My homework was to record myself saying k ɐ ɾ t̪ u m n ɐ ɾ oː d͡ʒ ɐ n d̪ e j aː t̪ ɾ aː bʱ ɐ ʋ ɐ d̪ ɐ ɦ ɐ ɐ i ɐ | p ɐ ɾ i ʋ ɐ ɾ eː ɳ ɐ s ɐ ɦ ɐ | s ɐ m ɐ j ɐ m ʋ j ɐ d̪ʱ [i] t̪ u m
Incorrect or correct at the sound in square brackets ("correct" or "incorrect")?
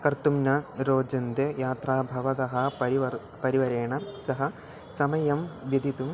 correct